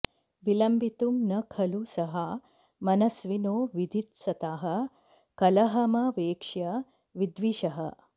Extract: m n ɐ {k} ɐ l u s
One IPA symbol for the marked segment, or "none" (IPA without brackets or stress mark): kʰ